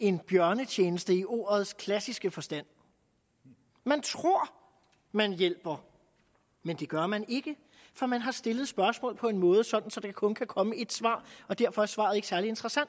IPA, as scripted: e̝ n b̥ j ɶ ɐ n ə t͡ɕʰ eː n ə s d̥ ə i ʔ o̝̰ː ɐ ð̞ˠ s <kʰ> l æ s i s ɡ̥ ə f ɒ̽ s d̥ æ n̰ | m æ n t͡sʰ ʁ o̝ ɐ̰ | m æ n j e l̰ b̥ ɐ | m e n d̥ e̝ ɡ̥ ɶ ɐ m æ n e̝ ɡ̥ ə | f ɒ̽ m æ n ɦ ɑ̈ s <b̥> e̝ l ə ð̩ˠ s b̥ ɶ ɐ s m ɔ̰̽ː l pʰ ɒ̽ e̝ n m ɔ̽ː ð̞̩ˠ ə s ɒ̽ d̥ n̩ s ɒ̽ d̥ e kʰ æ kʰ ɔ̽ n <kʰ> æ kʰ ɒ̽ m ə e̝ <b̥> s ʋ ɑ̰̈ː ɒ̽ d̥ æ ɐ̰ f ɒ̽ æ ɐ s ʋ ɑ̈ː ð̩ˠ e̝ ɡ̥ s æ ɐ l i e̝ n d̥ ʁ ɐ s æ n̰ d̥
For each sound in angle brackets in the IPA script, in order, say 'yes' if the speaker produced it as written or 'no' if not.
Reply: yes, no, yes, no

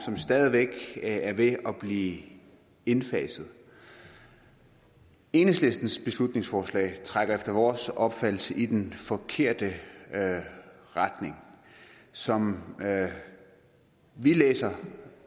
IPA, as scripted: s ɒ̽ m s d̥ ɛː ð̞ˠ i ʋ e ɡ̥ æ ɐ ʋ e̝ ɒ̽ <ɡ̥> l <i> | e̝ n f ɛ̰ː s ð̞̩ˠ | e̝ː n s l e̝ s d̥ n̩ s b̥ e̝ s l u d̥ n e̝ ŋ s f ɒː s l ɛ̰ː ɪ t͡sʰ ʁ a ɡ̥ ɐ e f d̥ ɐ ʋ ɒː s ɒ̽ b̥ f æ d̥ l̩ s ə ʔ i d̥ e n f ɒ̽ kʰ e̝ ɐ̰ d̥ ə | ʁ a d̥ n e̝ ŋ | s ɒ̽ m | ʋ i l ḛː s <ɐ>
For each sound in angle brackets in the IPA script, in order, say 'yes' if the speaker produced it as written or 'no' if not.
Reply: no, no, yes

